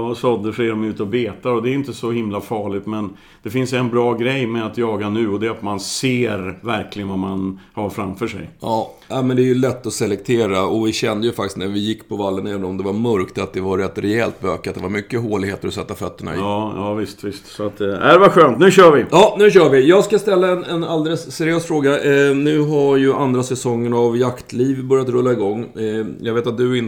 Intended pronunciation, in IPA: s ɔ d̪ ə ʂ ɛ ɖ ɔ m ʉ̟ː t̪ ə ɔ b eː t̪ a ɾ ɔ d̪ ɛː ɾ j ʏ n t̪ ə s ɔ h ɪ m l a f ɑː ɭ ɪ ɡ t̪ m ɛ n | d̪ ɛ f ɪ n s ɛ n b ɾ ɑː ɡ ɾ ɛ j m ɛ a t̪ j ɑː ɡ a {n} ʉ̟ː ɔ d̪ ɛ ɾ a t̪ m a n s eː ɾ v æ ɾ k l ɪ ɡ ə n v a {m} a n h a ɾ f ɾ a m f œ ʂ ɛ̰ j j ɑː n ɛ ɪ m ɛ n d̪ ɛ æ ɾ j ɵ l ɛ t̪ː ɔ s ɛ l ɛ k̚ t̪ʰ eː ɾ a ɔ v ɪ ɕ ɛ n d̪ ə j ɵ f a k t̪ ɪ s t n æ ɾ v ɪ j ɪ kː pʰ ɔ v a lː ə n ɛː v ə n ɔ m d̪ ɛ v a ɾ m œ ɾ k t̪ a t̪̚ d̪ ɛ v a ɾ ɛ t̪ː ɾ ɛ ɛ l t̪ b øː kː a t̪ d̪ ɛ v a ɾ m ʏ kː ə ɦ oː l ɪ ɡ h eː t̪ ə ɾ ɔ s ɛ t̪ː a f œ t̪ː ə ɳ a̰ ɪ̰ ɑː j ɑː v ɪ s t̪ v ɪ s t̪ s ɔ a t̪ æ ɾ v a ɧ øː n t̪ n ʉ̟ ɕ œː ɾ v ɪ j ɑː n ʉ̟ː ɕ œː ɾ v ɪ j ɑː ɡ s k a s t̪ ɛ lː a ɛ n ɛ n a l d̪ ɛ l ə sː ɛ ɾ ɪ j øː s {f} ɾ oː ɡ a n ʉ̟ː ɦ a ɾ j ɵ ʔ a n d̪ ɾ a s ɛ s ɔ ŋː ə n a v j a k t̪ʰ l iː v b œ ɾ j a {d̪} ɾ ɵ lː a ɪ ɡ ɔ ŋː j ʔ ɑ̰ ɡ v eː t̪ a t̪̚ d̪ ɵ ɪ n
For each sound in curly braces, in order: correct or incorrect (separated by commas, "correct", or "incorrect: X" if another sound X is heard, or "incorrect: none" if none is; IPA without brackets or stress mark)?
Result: correct, correct, correct, incorrect: t̪